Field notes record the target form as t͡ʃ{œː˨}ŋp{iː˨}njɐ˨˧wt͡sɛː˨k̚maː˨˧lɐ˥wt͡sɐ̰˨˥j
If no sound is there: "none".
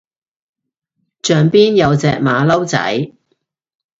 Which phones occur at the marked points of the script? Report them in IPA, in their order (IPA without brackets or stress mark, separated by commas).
œː˨, iː˥